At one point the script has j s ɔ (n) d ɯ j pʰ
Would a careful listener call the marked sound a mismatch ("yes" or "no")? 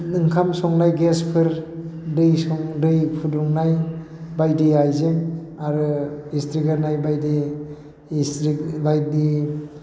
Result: yes